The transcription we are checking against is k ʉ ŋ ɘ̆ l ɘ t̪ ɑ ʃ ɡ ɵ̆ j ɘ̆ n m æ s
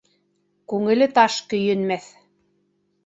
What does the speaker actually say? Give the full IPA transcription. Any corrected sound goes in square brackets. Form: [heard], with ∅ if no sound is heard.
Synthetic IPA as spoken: k ʉ ŋ ɘ̆ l ɘ t̪ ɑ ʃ [k] ɵ̆ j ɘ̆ n m æ [θ]